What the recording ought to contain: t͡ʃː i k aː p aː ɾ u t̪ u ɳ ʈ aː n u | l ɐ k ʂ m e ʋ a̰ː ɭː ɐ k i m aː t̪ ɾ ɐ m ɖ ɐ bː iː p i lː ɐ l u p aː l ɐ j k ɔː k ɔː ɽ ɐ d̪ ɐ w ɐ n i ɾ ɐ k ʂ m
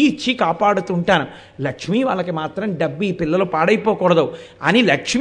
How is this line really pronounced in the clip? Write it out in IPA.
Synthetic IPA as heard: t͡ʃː i k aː p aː ɽ u t̪ u ɳ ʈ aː n u | l ɐ k ʂ m i ʋ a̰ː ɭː ɐ k i m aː t̪ ɾ ɐ m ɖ ɐ bː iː p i lː ɐ l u p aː ɽ ɐ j p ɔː k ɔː ɽ ɐ d̪ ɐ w ɐ n i l ɐ k ʂ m